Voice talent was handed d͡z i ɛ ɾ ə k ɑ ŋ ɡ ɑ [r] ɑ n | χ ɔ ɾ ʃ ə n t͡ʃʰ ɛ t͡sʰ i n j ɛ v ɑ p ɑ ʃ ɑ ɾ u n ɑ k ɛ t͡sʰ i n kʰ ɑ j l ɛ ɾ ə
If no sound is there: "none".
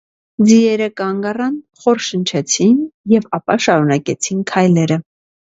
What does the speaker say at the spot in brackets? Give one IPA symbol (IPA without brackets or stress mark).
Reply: r